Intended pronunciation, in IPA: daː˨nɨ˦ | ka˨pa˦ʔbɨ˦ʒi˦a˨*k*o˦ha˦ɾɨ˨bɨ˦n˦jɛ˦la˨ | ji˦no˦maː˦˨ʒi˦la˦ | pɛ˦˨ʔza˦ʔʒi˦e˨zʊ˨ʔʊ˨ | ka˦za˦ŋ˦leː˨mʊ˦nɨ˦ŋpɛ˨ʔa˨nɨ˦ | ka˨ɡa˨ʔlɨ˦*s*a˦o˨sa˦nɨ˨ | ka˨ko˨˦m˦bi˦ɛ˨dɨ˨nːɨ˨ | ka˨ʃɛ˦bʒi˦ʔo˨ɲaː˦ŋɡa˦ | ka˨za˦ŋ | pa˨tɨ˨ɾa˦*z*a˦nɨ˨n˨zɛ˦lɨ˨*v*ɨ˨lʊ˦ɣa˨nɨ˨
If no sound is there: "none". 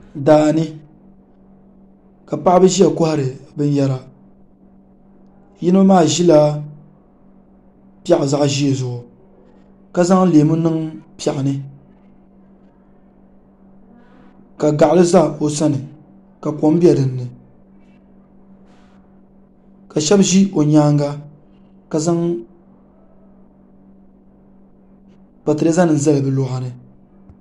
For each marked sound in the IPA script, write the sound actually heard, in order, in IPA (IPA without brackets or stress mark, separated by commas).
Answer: k, z, z, b